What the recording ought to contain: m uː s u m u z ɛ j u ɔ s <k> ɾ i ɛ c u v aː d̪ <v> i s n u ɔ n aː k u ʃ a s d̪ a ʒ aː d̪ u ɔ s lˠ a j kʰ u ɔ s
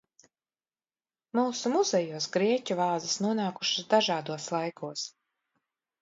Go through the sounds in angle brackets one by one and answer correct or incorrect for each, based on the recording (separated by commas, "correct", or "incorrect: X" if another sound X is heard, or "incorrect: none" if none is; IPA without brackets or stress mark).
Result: incorrect: ɡ, incorrect: z